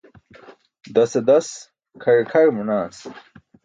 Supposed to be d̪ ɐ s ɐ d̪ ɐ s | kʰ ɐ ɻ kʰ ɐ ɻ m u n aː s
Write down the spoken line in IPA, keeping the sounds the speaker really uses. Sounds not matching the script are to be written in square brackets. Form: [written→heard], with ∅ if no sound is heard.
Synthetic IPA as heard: d̪ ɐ s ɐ d̪ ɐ s | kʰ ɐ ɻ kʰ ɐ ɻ m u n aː s